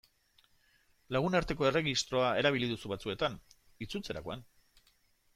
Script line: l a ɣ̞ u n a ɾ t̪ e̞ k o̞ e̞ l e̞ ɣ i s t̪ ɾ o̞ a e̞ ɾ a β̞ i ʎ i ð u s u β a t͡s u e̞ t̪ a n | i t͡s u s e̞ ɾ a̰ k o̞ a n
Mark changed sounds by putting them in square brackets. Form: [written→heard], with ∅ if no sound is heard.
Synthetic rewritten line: l a ɣ̞ u n a ɾ t̪ e̞ k o̞ e̞ [l→r] e̞ ɣ i s t̪ ɾ o̞ a e̞ ɾ a β̞ i [ʎ→l] i ð u s u β a t͡s u e̞ t̪ a n | i t͡s u [s→t͡s] e̞ ɾ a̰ k o̞ a n